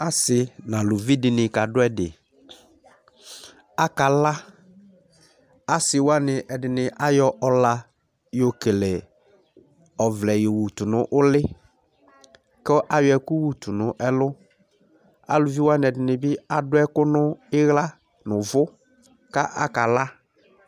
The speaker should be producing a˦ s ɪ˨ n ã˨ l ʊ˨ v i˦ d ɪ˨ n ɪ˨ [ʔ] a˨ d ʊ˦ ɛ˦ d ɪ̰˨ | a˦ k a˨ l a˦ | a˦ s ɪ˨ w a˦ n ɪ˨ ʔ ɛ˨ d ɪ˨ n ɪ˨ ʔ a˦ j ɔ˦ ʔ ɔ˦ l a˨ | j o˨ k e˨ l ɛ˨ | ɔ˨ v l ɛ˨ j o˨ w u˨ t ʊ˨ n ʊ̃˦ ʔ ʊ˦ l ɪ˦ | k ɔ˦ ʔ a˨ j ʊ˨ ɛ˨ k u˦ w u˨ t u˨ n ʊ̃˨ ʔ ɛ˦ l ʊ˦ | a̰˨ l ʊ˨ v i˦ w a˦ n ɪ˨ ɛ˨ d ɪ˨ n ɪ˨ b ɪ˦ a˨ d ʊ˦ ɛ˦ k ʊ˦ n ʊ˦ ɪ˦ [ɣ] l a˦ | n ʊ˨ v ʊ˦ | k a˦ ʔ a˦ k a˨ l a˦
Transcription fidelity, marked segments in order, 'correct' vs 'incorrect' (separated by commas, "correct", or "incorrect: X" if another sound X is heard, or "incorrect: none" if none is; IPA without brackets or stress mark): incorrect: k, correct